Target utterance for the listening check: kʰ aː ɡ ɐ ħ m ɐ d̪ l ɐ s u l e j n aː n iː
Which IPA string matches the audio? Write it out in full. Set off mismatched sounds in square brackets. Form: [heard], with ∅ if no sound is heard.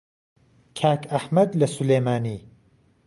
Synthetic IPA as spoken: kʰ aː [k] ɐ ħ m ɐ d̪ l ɐ s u l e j [m] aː n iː